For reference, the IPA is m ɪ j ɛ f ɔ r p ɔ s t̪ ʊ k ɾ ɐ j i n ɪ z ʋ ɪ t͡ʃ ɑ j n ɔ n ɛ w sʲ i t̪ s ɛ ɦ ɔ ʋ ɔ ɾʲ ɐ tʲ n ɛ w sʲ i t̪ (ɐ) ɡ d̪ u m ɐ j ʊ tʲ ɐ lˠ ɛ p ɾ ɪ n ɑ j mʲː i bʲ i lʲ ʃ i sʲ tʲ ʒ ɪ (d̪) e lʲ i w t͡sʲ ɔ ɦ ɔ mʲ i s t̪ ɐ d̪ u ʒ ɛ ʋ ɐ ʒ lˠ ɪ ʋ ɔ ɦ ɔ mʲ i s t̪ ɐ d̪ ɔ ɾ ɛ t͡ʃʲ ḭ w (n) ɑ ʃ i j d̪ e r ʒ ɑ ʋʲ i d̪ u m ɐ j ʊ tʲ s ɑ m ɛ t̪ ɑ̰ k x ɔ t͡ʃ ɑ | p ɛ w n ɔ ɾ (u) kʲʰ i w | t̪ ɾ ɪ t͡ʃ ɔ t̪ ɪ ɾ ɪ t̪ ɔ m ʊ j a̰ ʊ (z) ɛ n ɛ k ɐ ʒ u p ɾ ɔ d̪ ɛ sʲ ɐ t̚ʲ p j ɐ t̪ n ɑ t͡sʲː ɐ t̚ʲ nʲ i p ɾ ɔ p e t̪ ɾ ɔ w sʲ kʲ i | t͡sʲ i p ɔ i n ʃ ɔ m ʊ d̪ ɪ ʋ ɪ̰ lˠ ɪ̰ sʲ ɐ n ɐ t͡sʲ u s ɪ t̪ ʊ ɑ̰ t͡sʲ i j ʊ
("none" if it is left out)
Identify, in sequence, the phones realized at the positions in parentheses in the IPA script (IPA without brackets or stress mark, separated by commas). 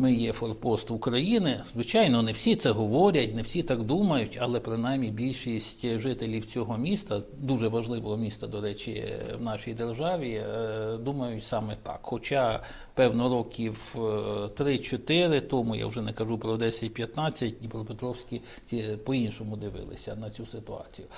ɑ, t̪, n, ɔ, ʒ